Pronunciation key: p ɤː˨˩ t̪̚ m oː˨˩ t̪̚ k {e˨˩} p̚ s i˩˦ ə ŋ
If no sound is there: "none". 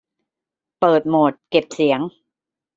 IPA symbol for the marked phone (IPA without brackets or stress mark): e˨˩